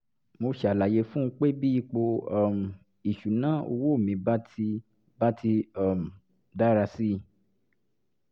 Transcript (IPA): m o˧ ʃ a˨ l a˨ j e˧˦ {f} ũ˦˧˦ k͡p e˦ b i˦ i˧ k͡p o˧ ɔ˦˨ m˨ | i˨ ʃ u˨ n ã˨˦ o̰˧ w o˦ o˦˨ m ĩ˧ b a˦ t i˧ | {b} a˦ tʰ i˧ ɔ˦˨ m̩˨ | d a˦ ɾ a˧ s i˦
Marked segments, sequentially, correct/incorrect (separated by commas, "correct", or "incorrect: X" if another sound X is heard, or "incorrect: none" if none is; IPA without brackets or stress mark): correct, correct